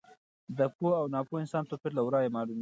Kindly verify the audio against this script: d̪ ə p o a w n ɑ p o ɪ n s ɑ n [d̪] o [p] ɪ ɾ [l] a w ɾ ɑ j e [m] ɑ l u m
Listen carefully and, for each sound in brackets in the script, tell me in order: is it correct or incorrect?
incorrect, correct, correct, correct

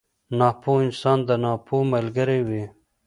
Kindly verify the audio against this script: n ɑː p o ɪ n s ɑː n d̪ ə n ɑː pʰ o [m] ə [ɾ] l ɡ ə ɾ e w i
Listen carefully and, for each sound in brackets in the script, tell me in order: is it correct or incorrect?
correct, incorrect

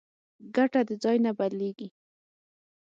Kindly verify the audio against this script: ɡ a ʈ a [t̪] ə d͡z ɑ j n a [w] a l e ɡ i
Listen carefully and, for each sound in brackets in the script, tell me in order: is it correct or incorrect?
incorrect, incorrect

